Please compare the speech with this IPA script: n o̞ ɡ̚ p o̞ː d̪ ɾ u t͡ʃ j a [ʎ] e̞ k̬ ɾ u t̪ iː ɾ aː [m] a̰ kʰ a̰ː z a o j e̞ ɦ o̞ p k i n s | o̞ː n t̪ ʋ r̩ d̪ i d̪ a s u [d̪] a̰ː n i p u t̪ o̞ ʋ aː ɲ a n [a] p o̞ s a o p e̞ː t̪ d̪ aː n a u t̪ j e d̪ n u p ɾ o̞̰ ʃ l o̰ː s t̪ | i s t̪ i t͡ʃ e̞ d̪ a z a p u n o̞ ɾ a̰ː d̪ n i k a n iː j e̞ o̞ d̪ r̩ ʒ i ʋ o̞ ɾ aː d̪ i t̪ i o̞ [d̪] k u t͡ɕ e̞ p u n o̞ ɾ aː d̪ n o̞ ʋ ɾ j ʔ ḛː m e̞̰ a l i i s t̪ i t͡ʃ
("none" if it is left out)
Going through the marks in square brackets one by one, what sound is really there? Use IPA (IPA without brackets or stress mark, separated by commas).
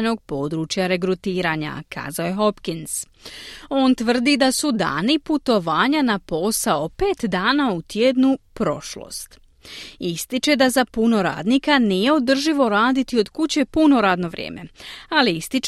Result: ɾ, ɲ, d̪, a, d̪